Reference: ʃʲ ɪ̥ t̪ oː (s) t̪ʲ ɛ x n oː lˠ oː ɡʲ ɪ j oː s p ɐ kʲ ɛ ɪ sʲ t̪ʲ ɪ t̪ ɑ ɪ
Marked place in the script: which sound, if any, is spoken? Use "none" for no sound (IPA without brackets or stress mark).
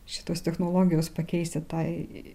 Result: s